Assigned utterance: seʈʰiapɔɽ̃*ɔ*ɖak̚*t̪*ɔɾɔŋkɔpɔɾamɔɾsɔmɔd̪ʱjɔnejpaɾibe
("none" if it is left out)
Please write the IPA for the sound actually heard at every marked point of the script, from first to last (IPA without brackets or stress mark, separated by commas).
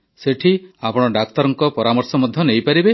ɔ, t̪